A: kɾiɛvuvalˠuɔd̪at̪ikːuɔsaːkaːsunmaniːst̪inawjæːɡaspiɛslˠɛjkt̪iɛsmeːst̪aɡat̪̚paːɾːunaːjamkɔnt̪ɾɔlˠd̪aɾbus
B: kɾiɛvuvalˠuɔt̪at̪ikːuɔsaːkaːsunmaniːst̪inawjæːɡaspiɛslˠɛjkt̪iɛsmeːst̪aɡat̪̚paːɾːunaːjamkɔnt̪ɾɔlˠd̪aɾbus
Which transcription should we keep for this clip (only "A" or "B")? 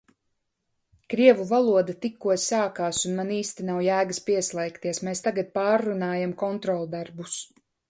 A